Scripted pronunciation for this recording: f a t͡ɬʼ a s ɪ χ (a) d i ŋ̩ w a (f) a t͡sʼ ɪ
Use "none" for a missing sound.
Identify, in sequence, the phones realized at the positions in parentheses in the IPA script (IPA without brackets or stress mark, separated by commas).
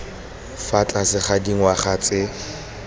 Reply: a, χ